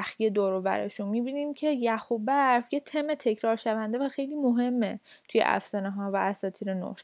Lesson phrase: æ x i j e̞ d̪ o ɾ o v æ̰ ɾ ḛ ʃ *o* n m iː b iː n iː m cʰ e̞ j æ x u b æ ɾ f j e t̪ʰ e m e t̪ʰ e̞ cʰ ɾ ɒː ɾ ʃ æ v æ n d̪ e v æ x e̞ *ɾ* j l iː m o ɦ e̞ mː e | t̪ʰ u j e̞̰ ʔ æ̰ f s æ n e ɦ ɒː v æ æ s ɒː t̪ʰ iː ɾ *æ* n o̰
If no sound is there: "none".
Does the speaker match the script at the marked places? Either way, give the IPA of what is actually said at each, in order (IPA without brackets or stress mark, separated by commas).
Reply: u, none, e